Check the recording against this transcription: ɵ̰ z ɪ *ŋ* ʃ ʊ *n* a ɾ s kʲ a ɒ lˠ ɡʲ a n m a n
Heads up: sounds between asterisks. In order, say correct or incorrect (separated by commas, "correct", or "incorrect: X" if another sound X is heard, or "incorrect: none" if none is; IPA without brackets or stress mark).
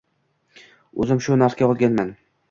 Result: incorrect: m, correct